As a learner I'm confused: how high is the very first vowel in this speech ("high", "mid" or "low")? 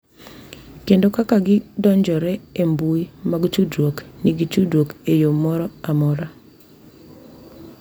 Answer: mid